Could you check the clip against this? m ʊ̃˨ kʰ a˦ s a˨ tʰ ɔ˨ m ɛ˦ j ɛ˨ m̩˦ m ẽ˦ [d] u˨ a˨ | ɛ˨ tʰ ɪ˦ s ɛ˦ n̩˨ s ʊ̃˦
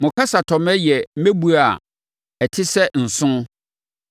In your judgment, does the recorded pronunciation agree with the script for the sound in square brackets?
no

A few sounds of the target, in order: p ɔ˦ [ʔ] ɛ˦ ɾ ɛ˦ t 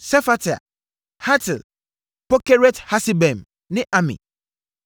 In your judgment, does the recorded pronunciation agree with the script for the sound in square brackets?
no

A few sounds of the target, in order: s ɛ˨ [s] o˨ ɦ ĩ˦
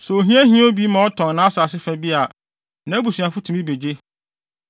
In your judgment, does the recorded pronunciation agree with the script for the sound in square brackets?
no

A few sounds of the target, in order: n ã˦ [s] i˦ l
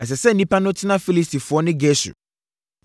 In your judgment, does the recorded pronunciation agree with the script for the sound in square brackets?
no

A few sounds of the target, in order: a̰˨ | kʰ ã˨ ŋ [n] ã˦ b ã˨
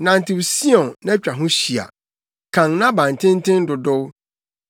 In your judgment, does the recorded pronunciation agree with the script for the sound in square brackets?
yes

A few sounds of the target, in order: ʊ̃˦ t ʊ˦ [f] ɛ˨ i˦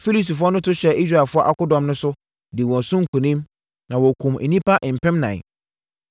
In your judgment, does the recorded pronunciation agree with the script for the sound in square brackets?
no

